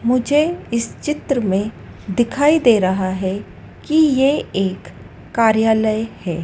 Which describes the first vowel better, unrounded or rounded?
rounded